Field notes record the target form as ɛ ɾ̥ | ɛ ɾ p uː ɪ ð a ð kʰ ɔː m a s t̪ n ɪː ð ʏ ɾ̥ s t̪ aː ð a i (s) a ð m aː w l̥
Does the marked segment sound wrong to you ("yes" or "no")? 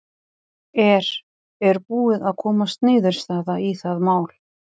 yes